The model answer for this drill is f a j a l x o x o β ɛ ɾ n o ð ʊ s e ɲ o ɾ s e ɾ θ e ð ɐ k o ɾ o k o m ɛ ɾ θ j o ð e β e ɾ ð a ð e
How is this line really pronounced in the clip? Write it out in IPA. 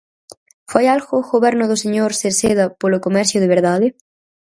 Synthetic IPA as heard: f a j a l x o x o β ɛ ɾ n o ð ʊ s e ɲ o ɾ s e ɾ s e ð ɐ p o l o k o m ɛ ɾ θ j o ð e β e ɾ ð a ð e